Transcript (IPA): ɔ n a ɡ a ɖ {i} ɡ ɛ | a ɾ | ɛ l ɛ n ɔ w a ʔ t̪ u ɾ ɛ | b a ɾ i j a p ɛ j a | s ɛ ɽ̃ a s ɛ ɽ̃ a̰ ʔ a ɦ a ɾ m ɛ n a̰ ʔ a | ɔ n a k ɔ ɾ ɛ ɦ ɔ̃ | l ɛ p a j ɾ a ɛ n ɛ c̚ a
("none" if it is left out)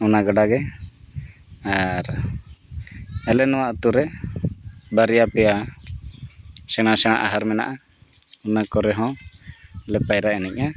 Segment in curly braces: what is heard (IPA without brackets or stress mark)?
a